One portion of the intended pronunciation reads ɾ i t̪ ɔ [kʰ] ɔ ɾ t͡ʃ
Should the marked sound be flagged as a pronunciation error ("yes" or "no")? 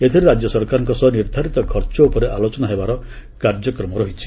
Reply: no